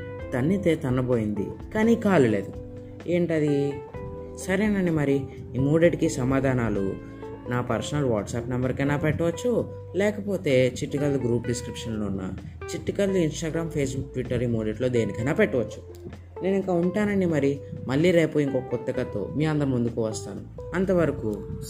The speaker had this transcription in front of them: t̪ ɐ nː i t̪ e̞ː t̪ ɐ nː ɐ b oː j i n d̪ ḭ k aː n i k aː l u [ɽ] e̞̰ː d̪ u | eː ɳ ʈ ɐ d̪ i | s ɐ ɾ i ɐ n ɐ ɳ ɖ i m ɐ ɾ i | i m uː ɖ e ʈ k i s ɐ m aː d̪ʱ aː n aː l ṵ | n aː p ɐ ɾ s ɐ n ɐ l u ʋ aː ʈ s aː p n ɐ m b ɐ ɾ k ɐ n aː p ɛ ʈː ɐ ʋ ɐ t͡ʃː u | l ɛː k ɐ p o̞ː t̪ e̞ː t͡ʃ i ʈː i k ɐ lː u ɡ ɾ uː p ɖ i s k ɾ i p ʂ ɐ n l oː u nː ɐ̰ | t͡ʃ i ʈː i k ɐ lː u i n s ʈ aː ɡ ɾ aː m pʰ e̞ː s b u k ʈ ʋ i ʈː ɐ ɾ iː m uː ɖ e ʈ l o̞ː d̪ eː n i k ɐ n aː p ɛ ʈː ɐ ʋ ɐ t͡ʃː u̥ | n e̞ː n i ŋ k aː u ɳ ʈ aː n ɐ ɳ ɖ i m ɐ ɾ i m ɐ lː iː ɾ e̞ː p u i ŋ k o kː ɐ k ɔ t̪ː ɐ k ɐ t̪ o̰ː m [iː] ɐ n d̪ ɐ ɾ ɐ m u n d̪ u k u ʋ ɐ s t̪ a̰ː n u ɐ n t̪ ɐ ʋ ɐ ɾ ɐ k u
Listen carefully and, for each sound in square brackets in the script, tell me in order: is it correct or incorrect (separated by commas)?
incorrect, correct